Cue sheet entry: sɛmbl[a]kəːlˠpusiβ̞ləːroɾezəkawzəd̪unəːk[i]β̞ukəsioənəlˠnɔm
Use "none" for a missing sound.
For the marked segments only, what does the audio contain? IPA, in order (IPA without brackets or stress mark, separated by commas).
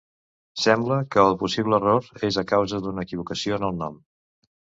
ə, i